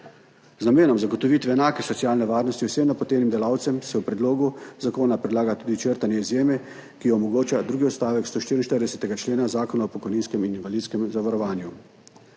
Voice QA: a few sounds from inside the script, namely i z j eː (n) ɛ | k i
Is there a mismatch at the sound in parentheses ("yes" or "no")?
yes